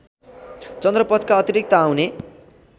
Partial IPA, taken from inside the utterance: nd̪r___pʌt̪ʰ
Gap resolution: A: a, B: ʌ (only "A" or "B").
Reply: B